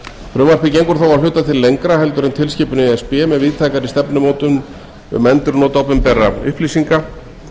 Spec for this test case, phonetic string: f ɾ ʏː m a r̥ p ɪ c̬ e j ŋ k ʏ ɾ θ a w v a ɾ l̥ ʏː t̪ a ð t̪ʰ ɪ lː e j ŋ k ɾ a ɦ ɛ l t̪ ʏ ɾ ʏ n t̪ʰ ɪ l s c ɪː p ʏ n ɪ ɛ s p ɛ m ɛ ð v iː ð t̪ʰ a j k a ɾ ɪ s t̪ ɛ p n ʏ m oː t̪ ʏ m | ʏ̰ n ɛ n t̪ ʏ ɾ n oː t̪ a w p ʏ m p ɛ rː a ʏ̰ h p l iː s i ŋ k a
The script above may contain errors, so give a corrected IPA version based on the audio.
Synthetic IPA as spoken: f ɾ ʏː m a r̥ p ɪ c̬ e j ŋ k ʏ ɾ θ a w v a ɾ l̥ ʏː t̪ a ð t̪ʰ ɪ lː e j ŋ k ɾ a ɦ ɛ l t̪ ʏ ɾ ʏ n t̪ʰ ɪ l s c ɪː p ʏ n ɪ ɛ s p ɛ m ɛ ð v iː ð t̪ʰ a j k a ɾ ɪ s t̪ ɛ p n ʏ m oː t̪ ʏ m | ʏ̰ m ɛ n t̪ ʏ ɾ n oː t̪ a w p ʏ m p ɛ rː a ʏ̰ h p l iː s i ŋ k a